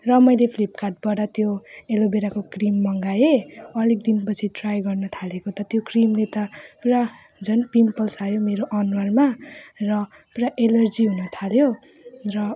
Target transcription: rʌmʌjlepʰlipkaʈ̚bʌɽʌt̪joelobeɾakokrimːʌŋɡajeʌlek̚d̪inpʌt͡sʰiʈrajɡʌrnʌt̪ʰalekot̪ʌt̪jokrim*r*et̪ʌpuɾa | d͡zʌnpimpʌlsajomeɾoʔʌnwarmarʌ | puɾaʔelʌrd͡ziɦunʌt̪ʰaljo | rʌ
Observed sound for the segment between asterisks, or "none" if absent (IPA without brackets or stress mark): l